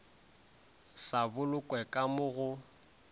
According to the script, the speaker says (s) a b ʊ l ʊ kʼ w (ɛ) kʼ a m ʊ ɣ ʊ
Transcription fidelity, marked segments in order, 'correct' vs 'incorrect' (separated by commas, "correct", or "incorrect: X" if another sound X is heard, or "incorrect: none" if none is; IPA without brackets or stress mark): correct, correct